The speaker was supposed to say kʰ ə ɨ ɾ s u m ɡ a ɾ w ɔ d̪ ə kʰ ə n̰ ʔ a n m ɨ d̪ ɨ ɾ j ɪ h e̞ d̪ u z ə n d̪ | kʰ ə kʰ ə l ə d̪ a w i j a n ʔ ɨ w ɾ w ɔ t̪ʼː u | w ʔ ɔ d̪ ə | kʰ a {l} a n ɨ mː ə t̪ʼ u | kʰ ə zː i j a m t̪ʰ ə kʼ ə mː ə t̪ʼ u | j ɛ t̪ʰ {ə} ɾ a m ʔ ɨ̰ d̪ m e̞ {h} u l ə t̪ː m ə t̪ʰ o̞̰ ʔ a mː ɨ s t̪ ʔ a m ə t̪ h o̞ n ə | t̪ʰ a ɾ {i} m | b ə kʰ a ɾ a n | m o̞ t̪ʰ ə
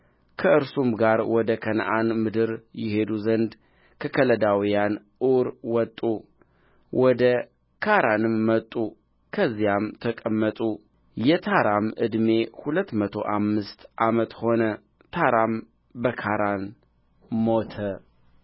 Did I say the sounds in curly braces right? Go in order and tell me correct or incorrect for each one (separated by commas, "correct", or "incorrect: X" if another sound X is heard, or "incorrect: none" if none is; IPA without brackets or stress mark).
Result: incorrect: ɾ, incorrect: a, correct, incorrect: a